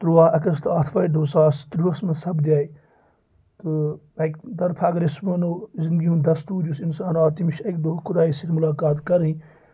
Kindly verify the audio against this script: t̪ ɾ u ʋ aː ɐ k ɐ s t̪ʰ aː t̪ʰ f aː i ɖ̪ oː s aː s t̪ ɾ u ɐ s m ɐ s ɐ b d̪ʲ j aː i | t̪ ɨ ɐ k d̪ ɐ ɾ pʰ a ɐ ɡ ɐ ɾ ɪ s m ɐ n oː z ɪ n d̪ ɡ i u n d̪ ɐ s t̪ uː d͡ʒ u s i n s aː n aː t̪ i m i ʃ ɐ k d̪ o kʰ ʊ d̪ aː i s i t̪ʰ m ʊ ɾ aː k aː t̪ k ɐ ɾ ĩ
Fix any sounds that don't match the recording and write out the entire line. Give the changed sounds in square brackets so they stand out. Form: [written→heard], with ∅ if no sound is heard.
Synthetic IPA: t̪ ɾ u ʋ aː ɐ k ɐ s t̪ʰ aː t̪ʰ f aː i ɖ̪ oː s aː s t̪ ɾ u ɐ s m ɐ s ɐ b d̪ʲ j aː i | t̪ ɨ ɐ k d̪ ɐ ɾ pʰ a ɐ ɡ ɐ ɾ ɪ s m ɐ n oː z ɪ n d̪ ɡ i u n d̪ ɐ s t̪ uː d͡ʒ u s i n s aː n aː t̪ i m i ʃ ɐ k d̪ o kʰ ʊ d̪ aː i s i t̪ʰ m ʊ [ɾ→l] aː k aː t̪ k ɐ ɾ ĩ